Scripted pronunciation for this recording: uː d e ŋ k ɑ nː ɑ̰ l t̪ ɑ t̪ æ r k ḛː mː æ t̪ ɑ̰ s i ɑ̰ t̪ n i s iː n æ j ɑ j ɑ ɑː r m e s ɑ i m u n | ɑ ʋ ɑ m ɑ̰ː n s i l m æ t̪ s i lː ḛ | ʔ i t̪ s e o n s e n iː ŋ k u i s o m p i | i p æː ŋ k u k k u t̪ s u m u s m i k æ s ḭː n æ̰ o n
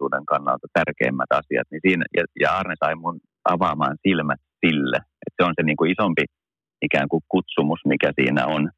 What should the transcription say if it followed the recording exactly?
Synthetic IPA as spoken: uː d e ŋ k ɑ nː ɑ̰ l t̪ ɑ t̪ æ r k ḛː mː æ t̪ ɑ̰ s i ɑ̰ t̪ n i s iː n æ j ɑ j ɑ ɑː r n e s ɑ i m u n | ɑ ʋ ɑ m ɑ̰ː n s i l m æ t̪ s i lː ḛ | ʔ e t̪ s e o n s e n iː ŋ k u i s o m p i | i k æː ŋ k u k k u t̪ s u m u s m i k æ s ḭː n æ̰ o n